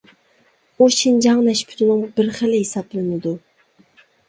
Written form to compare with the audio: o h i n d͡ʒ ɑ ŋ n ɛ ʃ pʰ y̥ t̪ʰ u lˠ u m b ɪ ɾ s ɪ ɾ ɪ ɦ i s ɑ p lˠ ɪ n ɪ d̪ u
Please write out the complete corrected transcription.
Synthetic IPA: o ʃ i n d͡ʒ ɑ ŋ n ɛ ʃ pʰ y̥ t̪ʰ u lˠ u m b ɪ ɾ χ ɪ l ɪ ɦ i s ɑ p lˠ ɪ n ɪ d̪ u